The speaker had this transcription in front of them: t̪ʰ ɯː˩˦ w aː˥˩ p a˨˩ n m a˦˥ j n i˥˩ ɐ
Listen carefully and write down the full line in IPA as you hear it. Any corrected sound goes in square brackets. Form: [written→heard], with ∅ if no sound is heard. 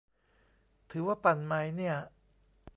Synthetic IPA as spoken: t̪ʰ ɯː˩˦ w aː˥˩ p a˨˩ n m a˦˥ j n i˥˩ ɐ